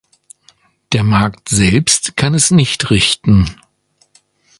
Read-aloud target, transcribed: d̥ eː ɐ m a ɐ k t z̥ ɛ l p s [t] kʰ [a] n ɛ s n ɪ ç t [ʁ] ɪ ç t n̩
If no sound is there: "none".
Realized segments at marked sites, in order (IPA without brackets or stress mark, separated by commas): t, a, ʁ